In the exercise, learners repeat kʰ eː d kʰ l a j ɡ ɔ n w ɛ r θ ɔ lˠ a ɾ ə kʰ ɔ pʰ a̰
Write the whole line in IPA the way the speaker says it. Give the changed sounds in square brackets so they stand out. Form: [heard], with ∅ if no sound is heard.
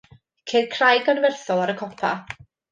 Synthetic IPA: kʰ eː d kʰ [r] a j ɡ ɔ n [v] ɛ r θ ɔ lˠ a ɾ ə kʰ ɔ pʰ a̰